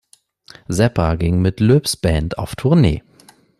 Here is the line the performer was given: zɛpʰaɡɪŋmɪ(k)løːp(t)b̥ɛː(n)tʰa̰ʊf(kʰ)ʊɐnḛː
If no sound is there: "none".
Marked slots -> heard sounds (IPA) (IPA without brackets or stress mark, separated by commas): t, s, n, tʰ